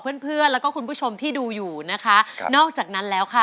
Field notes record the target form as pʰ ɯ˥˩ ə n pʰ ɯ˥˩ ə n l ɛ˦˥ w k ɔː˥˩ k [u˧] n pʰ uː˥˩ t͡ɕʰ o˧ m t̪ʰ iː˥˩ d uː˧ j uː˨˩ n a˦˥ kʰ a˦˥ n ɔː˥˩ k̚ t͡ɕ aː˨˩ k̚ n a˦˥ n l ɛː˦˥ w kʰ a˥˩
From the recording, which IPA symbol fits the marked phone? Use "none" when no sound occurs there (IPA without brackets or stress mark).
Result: u˧